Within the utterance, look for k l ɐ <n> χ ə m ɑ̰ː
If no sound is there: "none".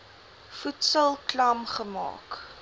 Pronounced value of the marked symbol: m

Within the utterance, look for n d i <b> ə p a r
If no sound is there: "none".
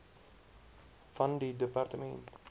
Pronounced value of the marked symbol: d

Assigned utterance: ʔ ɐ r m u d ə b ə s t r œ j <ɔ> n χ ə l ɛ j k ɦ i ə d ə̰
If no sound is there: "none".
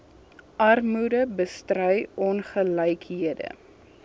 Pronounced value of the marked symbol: ɔ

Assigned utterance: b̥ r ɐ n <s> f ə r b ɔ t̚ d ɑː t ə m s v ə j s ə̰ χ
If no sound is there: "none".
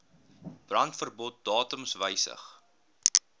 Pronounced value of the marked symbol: t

